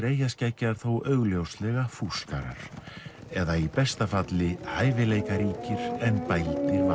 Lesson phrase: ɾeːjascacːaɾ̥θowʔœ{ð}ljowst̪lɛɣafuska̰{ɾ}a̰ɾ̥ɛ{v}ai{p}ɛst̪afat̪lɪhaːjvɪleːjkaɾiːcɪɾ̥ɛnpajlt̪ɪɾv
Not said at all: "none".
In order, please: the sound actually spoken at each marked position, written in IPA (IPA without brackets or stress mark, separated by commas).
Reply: ɣ, ɾ, ð, p